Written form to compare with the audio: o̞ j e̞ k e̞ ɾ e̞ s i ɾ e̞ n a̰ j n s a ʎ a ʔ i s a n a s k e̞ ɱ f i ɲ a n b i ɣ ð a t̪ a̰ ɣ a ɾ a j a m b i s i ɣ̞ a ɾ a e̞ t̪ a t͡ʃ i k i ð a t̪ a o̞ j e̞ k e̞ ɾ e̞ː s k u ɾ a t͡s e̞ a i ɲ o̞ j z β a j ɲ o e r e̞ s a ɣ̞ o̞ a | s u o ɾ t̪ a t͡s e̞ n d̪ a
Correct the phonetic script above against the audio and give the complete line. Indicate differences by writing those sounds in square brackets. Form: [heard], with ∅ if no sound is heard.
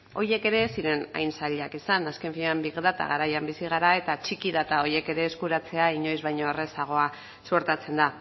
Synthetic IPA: o̞ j e̞ k e̞ ɾ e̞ s i ɾ e̞ n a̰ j n s a ʎ a [k] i s a n a s k e̞ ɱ f i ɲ a [m] b i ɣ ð a t̪ a̰ ɣ a ɾ a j a m b i s i ɣ̞ a ɾ a e̞ t̪ a t͡ʃ i k i ð a t̪ a o̞ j e̞ k e̞ ɾ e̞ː s k u ɾ a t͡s e̞ a i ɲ o̞ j z β a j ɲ o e r e̞ s a ɣ̞ o̞ a | s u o ɾ t̪ a t͡s e̞ n d̪ a